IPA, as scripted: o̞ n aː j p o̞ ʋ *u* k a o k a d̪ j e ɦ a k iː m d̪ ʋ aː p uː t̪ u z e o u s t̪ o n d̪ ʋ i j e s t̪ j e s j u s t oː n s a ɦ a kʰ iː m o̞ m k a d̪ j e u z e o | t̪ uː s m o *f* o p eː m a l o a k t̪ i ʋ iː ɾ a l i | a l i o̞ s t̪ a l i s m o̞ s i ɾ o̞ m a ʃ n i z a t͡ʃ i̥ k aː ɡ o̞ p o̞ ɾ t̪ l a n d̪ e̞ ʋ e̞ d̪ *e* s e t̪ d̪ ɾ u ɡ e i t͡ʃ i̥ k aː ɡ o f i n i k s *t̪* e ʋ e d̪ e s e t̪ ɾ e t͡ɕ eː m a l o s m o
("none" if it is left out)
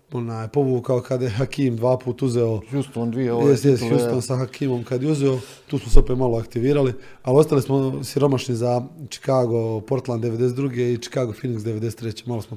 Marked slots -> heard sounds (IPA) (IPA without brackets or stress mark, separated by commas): uː, s, e, d̪